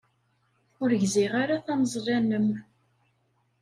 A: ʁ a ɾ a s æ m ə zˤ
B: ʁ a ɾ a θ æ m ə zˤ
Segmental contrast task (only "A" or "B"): B